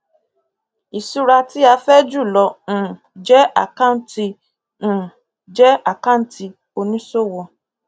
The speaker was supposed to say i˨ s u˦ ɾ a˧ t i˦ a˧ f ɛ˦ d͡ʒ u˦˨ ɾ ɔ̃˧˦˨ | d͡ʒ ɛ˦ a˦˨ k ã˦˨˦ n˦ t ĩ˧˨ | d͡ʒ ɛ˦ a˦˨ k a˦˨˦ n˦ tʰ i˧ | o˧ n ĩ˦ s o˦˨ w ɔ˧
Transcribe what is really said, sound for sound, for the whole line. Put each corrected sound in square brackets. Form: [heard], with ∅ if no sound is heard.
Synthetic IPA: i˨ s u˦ ɾ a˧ t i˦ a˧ f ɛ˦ d͡ʒ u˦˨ [l] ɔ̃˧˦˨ | d͡ʒ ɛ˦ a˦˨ k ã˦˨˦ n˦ t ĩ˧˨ | d͡ʒ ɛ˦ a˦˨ k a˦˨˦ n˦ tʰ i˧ | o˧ n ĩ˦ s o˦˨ w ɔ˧